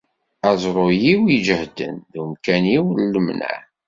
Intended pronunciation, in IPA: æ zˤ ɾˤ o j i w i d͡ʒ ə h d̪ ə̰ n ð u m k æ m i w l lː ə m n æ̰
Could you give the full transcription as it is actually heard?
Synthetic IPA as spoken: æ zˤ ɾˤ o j i w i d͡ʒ ə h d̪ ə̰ n ð u m k æ n i w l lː ə m n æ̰

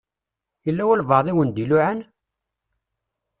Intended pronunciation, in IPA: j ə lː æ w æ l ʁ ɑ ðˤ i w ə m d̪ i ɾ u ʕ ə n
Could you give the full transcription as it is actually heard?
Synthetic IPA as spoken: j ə lː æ w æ l v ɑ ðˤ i w ə n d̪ i l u ʕ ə n

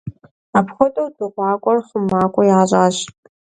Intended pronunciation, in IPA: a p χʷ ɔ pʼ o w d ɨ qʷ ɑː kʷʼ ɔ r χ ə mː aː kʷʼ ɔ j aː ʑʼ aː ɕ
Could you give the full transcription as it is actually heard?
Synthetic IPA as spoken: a p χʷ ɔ tʼ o w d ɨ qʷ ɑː kʷʼ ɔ r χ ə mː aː kʷʼ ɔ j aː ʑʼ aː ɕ

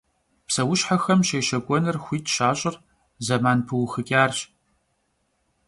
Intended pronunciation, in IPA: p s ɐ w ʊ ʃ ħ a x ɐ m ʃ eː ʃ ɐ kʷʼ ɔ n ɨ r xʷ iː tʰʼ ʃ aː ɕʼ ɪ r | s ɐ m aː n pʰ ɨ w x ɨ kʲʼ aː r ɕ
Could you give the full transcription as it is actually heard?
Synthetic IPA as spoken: p s ɐ w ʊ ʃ ħ a x ɐ m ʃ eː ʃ ɐ kʷʼ ɔ n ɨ r xʷ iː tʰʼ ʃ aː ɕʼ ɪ r | z ɐ m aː n pʰ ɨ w x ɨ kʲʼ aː r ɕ

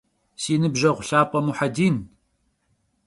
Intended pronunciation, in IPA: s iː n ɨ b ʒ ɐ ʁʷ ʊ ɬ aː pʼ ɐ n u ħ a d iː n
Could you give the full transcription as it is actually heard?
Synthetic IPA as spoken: s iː n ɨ b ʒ ɐ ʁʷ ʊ ɬ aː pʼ ɐ m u ħ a d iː n

